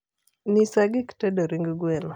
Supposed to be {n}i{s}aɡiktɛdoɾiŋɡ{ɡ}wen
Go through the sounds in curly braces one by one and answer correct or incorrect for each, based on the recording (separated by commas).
correct, correct, correct